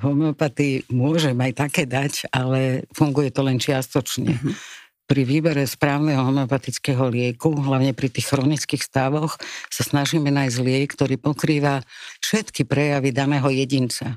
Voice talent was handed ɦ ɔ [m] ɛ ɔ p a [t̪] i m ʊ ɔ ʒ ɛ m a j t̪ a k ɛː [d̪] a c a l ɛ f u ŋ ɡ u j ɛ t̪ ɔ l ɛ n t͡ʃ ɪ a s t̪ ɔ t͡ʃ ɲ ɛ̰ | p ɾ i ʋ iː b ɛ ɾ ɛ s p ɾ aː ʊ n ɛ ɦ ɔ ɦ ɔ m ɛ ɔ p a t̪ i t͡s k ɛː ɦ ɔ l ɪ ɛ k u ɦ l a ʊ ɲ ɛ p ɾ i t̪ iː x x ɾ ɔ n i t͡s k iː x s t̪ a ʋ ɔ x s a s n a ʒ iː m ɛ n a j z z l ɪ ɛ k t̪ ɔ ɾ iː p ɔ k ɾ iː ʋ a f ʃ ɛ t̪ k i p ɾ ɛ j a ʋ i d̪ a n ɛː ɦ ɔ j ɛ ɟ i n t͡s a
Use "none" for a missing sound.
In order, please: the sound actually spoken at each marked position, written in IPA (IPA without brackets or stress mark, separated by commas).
m, t̪, d̪